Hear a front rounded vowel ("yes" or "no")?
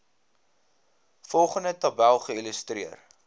no